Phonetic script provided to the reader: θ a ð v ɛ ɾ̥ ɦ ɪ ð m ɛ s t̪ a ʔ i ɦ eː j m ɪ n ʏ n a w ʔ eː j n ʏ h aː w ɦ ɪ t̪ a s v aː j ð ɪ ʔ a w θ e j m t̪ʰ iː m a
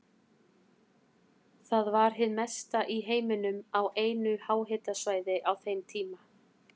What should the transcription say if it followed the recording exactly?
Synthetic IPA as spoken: θ a ð v a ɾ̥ ɦ ɪ ð m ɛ s t̪ a ʔ i ɦ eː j m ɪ n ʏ m a w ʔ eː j n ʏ h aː w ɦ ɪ t̪ a s v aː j ð ɪ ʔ a w θ e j m t̪ʰ iː m a